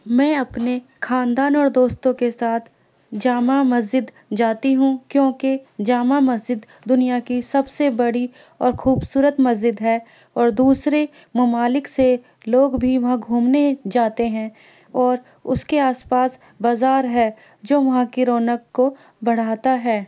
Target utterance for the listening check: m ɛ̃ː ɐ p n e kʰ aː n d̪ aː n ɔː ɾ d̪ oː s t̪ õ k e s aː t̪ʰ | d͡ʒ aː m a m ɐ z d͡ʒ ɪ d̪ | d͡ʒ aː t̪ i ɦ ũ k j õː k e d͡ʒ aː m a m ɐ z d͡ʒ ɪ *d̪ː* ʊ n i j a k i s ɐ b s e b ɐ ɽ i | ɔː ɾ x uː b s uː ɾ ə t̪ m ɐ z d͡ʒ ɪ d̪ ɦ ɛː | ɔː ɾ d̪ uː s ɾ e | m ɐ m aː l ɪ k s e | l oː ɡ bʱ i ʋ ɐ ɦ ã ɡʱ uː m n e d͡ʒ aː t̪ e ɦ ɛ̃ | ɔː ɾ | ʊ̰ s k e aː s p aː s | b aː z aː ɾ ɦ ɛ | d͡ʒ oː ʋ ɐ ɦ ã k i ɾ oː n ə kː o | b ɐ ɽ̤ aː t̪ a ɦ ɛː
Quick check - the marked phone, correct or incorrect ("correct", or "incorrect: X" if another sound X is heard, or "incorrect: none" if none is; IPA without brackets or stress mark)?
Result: correct